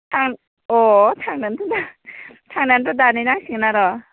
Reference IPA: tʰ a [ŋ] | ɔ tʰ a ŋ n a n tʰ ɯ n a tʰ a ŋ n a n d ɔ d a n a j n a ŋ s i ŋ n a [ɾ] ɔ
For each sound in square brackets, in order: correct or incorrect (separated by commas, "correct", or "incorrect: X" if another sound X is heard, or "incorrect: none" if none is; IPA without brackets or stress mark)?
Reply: correct, correct